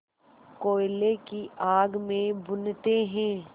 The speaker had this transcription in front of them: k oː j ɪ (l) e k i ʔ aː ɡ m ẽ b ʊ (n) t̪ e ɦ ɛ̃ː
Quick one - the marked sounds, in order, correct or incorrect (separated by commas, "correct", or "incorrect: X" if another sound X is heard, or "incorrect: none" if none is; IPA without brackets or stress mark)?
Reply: correct, correct